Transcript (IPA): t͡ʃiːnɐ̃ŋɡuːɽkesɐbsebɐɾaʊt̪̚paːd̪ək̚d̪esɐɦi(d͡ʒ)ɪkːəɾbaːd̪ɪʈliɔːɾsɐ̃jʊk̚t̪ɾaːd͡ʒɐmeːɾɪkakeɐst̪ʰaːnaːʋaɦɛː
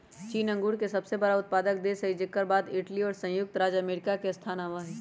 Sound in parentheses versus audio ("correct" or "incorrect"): correct